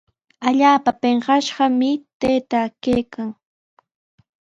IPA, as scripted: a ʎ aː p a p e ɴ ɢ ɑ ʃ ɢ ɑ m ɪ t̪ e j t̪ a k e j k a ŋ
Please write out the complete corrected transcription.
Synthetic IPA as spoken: a ʎ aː p a p e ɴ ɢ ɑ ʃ ɢ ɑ m ɪ t̪ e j t̪ a k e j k a ŋ